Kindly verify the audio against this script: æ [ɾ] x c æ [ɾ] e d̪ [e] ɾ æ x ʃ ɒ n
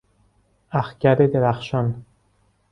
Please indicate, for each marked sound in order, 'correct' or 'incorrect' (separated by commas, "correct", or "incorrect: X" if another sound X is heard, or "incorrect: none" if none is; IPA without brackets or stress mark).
incorrect: none, correct, correct